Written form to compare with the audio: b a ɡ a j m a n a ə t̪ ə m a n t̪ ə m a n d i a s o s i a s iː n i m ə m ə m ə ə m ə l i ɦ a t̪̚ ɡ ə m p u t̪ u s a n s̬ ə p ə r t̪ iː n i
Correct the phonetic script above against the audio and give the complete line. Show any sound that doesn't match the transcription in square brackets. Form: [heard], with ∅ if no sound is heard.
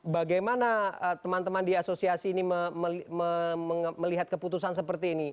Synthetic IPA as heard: b a ɡ a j m a n a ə t̪ ə m a n t̪ ə m a n d i a s o s i a s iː n i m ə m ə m ə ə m ə l i ɦ a t̪̚ [k] ə [∅] p u t̪ u s a n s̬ ə p ə r t̪ iː n i